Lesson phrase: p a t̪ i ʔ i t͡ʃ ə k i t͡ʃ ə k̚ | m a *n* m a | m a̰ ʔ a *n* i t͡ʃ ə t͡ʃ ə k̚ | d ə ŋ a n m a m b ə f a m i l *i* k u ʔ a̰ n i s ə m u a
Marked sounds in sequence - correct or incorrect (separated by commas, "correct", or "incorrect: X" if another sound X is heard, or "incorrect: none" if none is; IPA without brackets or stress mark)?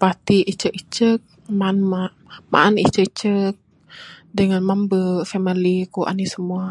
correct, correct, correct